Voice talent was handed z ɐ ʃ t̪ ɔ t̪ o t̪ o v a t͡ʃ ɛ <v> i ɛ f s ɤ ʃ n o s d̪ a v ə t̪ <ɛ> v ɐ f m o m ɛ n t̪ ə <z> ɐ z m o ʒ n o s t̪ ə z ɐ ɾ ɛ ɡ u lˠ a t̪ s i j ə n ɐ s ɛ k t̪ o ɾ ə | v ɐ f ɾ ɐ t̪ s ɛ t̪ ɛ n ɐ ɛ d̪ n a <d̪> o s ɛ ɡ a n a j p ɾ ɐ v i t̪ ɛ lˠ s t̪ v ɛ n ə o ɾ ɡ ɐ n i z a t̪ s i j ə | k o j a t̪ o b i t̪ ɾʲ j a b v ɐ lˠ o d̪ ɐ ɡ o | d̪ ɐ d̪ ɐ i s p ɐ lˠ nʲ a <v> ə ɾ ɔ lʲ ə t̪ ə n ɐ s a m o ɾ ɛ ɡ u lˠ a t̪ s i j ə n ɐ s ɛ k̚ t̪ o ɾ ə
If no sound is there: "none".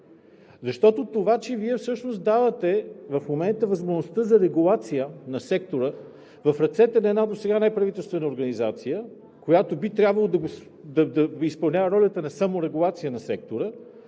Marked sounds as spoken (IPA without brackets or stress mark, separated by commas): v, ɛ, v, d̪, v